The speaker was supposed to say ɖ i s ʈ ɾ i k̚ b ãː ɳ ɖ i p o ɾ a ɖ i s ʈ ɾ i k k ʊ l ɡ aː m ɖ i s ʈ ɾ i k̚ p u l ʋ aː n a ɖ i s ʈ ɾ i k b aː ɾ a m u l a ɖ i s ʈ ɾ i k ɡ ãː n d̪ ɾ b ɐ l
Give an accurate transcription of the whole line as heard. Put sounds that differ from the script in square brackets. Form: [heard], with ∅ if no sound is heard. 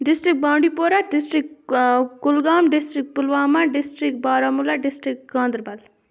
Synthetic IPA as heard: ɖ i s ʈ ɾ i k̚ b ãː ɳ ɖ i p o ɾ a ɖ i s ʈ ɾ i k k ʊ l ɡ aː m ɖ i s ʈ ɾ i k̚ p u l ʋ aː [m] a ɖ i s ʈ ɾ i k b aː ɾ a m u l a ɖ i s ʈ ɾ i k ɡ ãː n d̪ ɾ b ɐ l